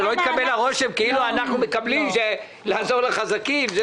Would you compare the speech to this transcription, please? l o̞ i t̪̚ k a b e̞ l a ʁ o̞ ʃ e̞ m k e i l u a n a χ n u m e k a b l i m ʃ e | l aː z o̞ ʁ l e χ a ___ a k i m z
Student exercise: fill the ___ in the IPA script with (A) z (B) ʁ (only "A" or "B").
A